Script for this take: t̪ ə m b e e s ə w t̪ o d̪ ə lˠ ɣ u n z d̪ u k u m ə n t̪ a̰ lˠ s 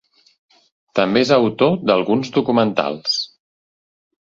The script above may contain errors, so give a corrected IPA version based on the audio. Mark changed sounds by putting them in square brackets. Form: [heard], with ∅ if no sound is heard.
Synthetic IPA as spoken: t̪ ə m b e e [z] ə w t̪ o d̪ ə lˠ ɣ u n z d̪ u k u m ə n t̪ a̰ lˠ s